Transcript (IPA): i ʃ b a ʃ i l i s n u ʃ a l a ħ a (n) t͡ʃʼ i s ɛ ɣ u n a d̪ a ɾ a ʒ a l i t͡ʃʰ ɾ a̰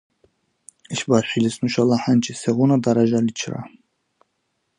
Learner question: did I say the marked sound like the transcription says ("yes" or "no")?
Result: yes